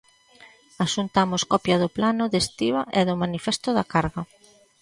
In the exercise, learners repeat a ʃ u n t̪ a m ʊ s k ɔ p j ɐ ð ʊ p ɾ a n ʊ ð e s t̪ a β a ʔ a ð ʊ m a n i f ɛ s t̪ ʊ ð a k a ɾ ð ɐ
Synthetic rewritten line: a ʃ u n t̪ a m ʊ s k ɔ p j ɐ ð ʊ p l a n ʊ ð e s t̪ i β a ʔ ɛ ð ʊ m a n i f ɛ s t̪ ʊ ð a k a ɾ ɣ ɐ